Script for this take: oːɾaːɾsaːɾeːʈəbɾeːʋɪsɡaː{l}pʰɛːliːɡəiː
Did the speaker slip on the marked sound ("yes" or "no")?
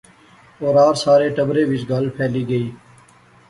no